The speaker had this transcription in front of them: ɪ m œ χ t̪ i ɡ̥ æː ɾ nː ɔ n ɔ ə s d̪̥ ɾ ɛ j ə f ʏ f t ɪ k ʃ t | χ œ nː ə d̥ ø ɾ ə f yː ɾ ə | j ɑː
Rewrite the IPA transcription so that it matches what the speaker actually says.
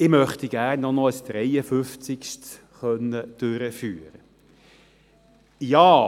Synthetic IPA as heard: ɪ m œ χ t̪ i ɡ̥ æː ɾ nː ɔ n ɔ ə s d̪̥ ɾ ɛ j ə f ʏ f t͡s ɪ k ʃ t | χ œ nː ə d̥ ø ɾ ə f yː ɾ ə | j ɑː

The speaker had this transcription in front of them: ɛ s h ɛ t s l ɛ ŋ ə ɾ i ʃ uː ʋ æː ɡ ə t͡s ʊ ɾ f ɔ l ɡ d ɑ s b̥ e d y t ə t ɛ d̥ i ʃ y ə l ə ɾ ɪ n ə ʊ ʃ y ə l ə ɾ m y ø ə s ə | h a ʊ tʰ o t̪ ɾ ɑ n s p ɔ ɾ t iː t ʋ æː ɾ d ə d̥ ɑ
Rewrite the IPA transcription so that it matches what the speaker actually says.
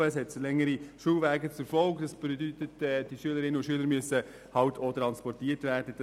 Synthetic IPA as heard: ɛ s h ɛ t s l ɛ ŋ ə ɾ i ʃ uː ʋ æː ɡ ə t͡s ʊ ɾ f ɔ l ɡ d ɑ s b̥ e d y t ə t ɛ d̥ i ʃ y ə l ə ɾ ɪ n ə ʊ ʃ y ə l ə ɾ m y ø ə s ə | h ɑ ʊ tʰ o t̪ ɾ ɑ n s p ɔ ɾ t iː t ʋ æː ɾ d ə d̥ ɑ

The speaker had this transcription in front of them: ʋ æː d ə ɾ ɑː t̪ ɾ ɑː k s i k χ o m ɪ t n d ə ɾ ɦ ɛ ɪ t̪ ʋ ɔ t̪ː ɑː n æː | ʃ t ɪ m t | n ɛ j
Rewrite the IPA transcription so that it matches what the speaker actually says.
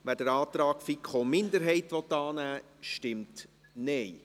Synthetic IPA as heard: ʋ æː d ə ɾ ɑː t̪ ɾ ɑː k f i k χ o m ɪ n d ə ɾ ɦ ɛ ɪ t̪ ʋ ɔ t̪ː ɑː n æː | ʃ t ɪ m t | n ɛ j

